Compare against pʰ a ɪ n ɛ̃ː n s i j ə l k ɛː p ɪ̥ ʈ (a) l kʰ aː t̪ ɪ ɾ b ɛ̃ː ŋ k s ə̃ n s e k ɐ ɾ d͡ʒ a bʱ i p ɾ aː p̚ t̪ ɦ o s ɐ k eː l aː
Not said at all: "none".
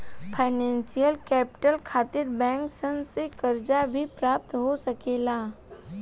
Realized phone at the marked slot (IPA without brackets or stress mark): ə